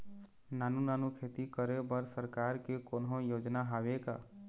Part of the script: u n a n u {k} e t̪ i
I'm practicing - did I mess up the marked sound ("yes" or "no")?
yes